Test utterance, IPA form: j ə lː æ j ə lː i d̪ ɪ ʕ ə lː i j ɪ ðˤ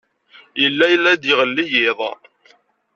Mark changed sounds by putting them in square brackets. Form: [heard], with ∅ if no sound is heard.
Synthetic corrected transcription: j ə lː æ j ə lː [æ] d̪ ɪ [ʁ] ə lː i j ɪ ðˤ